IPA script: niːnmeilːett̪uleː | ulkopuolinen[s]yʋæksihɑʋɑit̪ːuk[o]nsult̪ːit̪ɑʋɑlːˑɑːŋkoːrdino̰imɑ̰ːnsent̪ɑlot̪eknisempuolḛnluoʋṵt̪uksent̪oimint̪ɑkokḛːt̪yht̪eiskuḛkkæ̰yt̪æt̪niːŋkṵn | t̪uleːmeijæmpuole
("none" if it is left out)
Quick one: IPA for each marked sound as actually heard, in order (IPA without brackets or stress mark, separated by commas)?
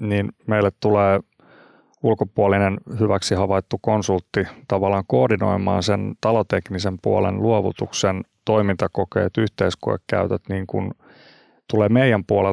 h, o